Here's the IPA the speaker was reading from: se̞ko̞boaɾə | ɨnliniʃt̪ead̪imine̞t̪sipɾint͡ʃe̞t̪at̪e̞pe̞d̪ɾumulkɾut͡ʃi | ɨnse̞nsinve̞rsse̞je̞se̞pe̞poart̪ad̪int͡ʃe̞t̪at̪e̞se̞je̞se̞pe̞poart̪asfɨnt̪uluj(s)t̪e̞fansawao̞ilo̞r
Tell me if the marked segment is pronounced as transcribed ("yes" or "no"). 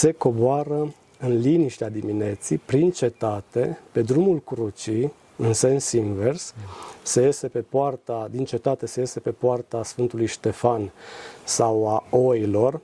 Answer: no